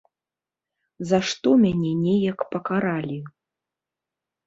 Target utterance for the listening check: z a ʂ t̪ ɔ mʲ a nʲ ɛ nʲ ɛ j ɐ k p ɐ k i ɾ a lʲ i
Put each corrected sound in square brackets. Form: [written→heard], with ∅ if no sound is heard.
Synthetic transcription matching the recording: z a ʂ t̪ ɔ mʲ a nʲ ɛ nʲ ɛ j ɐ k p ɐ k [i→a] ɾ a lʲ i